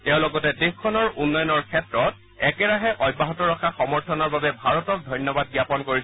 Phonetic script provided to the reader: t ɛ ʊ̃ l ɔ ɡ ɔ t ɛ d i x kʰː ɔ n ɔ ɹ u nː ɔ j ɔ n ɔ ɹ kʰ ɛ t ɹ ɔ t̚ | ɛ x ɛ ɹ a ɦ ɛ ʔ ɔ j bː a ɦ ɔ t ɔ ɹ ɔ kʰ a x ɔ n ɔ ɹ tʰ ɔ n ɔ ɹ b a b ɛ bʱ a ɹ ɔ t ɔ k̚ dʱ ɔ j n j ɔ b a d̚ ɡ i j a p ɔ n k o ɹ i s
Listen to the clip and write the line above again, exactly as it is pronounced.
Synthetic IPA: t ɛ ʊ̃ l ɔ ɡ ɔ t ɛ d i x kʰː ɔ n ɔ ɹ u nː ɔ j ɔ n ɔ ɹ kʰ ɛ t ɹ ɔ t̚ | ɛ k ɛ ɹ a ɦ ɛ ʔ ɔ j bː a ɦ ɔ t ɔ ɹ ɔ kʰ a x ɔ m ɔ ɹ tʰ ɔ n ɔ ɹ b a b ɛ bʱ a ɹ ɔ t ɔ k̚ dʱ ɔ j n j ɔ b a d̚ ɡ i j a p ɔ n k o ɹ i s